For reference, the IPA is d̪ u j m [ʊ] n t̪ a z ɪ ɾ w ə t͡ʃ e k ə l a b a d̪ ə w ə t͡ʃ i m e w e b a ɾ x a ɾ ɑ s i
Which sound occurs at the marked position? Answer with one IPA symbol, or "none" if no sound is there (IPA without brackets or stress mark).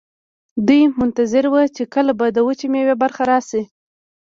ʊ